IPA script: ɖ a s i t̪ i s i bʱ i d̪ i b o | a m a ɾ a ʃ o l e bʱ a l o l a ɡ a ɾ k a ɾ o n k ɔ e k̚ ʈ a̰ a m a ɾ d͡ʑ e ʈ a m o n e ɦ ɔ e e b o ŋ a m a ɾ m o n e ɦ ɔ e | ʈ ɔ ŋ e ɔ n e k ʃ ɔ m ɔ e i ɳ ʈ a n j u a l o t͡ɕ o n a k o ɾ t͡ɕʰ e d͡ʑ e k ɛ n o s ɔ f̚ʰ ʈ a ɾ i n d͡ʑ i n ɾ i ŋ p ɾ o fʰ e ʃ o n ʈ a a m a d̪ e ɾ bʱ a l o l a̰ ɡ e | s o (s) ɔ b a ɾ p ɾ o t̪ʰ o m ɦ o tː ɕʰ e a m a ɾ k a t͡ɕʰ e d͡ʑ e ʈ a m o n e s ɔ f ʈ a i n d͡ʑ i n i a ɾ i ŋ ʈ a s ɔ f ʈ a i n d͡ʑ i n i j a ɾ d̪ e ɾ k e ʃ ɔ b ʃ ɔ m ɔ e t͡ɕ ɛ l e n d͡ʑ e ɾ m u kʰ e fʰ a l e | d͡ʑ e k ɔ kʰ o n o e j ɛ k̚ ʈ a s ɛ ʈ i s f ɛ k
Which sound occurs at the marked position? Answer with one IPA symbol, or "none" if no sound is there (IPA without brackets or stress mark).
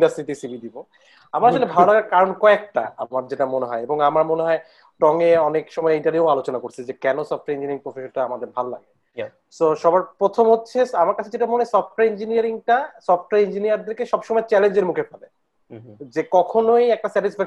ʃ